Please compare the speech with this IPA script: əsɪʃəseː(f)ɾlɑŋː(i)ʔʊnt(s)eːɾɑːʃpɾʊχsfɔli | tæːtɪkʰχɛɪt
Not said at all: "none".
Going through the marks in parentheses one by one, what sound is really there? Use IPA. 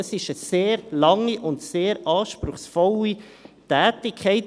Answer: none, i, s

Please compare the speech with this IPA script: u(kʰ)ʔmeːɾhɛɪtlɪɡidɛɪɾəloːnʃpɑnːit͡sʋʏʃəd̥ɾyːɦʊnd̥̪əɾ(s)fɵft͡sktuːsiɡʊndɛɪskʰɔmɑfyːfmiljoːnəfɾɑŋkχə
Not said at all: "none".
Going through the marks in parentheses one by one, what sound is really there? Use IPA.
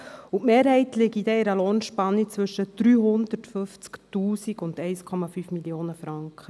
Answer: none, t

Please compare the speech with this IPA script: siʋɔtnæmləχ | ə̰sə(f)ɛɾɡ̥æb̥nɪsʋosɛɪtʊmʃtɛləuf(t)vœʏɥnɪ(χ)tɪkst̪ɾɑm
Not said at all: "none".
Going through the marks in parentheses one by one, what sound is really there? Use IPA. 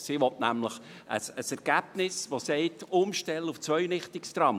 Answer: s, t͡s, χ

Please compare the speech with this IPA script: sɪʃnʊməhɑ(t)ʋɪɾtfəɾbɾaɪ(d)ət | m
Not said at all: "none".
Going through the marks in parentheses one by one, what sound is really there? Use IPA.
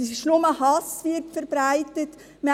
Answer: s, t

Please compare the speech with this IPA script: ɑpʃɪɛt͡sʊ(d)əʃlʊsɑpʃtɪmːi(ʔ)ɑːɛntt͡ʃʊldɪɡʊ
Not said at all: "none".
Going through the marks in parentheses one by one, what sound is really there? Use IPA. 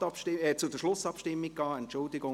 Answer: d, k

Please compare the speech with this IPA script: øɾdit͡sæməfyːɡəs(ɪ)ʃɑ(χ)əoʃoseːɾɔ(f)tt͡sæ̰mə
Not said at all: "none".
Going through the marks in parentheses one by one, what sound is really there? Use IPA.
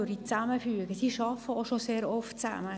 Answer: i, f, f

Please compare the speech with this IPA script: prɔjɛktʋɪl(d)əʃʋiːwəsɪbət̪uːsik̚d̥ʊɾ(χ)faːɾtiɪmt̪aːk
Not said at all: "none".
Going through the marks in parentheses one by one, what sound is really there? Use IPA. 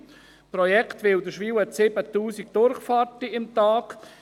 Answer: d, χ

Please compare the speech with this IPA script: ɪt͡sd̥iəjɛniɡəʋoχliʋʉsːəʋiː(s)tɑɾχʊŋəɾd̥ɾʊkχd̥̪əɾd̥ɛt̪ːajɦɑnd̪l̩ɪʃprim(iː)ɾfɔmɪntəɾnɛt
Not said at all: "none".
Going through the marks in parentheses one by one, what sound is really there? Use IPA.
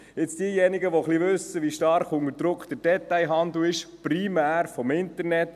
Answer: ʃ, æː

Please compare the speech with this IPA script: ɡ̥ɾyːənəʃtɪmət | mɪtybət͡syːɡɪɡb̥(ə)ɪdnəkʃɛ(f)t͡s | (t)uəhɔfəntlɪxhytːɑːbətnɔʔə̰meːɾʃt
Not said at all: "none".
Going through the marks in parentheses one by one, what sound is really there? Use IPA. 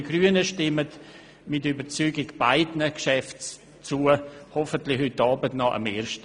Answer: a, f, t͡s

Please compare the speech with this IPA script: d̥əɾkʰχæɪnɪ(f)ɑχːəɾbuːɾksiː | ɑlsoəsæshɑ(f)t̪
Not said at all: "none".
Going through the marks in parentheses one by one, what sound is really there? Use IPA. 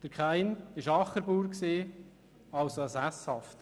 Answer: ʃ, f

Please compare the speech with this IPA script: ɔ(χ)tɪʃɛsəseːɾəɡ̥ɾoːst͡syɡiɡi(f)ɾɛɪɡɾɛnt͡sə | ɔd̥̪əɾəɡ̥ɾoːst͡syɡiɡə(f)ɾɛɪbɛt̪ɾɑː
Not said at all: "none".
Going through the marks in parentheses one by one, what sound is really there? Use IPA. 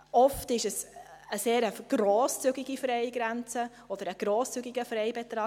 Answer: f, f, f

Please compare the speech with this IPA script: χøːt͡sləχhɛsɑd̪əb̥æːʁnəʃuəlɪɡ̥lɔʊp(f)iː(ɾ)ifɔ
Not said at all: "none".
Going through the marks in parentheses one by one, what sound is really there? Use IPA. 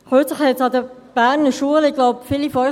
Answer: f, l

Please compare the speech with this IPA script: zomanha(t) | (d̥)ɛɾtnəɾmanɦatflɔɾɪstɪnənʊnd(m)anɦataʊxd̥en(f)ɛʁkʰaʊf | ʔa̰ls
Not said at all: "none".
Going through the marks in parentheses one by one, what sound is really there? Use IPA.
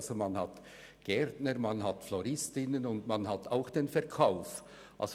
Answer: t, ɡ̥, m, f

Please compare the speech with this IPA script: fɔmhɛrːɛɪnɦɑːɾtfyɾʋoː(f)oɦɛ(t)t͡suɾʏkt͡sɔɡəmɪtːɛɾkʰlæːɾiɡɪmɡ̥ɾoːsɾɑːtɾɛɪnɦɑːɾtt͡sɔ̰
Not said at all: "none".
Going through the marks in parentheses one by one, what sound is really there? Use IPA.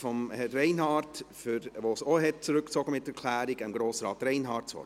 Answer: s, t

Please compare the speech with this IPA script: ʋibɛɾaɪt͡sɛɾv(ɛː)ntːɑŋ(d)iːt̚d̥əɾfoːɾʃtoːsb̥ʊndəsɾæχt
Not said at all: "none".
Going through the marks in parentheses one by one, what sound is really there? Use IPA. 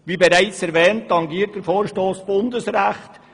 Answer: ɛː, ɡ

